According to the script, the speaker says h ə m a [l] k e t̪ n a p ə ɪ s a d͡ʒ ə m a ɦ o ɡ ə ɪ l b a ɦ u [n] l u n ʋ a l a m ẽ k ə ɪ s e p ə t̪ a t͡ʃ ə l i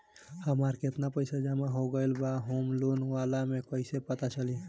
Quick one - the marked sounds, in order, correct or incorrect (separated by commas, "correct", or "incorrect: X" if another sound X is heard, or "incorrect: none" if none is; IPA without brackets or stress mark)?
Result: incorrect: ɾ, incorrect: m